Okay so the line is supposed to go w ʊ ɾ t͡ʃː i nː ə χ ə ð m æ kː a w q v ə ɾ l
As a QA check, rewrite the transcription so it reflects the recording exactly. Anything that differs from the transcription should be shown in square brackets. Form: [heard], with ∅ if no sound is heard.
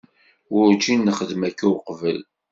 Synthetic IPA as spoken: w ʊ ɾ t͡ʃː i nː ə χ ə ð m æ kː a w q v ə [∅] l